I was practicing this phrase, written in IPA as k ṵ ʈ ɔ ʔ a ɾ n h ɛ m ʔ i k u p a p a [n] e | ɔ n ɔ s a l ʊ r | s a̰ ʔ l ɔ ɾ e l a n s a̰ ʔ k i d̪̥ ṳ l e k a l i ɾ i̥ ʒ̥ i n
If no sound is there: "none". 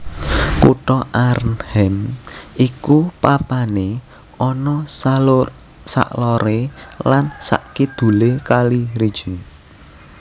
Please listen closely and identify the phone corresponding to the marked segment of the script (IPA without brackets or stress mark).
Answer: n